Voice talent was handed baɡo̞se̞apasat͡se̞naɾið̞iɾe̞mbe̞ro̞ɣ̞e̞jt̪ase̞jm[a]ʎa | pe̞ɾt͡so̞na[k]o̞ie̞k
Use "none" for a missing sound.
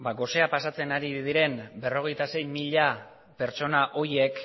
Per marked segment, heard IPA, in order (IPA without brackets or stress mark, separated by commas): i, ʔ